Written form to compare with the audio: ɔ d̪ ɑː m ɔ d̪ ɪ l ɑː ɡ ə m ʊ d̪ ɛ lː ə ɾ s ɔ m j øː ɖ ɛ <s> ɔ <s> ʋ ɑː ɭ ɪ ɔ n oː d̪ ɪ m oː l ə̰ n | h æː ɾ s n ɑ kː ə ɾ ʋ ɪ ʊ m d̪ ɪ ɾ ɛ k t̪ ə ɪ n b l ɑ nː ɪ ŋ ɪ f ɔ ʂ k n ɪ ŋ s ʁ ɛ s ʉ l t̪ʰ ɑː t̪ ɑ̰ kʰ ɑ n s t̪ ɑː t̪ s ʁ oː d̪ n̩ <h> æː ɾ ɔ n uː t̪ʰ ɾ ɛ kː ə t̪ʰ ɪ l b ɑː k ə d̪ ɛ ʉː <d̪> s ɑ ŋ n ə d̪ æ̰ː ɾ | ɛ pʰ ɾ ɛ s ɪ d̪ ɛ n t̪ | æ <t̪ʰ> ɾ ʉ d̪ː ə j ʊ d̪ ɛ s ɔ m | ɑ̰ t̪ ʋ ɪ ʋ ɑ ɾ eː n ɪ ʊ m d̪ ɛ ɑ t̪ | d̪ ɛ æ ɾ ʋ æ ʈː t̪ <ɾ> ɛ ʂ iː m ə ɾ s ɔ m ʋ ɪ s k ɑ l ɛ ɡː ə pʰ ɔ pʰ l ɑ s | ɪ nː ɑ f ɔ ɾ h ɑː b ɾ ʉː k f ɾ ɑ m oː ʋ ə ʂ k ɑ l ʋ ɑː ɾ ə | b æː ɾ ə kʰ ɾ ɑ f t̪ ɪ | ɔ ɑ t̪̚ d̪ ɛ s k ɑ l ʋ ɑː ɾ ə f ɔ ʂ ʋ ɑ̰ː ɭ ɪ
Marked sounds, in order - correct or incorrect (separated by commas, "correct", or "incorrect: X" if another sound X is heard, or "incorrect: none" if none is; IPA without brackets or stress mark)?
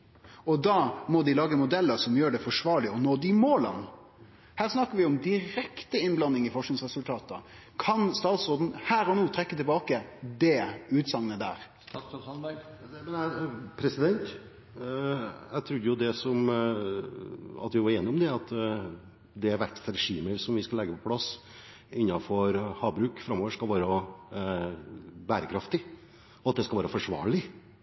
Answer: incorrect: f, incorrect: ʂ, correct, incorrect: t̪, correct, correct